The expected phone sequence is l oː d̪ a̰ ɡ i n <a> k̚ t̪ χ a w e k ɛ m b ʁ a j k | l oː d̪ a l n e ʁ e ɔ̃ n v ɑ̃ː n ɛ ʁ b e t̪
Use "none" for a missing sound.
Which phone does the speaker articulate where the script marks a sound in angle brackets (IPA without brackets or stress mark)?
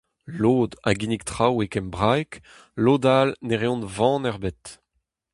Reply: i